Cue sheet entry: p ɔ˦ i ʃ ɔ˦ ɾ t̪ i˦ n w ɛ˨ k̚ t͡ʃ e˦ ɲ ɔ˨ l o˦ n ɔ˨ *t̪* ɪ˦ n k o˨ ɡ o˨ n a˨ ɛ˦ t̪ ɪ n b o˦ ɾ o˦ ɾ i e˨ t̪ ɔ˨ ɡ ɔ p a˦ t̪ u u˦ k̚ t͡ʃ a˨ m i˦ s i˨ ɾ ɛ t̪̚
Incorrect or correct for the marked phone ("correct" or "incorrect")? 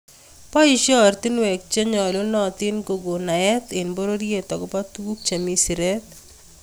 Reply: correct